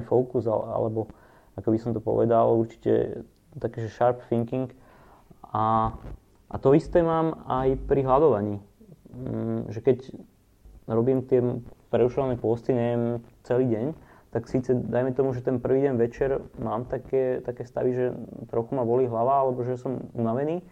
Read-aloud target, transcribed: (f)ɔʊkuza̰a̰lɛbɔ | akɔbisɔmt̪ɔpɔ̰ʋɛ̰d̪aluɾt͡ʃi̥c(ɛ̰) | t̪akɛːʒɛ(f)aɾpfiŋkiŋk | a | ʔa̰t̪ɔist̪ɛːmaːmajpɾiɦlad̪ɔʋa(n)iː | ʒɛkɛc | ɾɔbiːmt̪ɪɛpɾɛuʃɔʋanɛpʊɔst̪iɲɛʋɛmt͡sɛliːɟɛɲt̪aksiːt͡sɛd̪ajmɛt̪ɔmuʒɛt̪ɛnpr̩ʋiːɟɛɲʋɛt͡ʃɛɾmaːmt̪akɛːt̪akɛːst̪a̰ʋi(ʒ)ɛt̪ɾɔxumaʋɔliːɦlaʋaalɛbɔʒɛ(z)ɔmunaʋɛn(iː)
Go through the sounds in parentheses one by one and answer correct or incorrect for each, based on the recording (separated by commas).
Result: correct, correct, incorrect, incorrect, correct, incorrect, correct